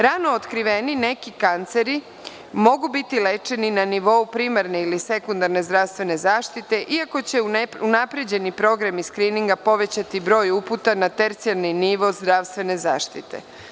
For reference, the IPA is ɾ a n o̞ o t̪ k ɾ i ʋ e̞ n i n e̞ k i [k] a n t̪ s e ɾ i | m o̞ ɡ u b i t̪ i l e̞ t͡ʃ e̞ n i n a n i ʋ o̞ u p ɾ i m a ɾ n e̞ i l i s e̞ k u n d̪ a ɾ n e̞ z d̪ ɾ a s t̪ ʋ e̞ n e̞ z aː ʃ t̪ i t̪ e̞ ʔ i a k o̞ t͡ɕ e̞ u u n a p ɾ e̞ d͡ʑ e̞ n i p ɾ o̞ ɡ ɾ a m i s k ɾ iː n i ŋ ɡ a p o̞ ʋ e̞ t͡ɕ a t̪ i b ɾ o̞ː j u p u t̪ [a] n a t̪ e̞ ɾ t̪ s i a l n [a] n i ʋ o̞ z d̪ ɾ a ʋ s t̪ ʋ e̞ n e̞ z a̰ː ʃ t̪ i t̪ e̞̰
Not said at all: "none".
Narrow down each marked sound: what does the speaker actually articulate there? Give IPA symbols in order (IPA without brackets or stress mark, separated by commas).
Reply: k, a, i